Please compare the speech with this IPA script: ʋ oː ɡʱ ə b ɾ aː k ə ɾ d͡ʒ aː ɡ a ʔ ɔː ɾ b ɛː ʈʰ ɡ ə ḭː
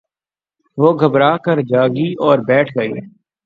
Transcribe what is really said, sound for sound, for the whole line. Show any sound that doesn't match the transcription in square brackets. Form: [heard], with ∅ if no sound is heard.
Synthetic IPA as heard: ʋ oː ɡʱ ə b ɾ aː k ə ɾ d͡ʒ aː ɡ [i] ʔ ɔː ɾ b ɛː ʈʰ ɡ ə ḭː